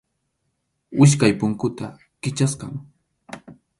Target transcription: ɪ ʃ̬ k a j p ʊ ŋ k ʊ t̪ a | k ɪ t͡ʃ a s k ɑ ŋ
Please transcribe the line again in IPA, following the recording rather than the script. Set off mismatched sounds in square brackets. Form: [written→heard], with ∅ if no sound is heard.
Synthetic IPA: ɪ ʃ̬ k a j p ʊ ŋ k ʊ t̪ a | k ɪ t͡ʃ a s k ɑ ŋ